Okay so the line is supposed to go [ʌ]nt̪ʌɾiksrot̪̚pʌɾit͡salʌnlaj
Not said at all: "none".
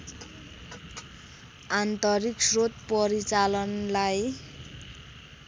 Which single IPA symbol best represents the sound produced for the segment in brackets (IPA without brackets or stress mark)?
a